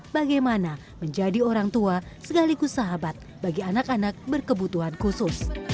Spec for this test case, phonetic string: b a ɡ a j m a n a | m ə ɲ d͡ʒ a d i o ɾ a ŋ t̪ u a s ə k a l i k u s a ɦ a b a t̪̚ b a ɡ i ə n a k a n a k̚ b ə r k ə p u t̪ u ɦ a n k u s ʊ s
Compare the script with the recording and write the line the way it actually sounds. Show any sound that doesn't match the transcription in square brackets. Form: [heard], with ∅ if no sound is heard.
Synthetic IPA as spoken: b a ɡ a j m a n a | m ə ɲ d͡ʒ a d i o ɾ a ŋ t̪ u a s ə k a l i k u s a ɦ a b a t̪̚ b a ɡ i [a] n a k a n a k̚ b ə r k ə [b] u t̪ u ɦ a n k u s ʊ s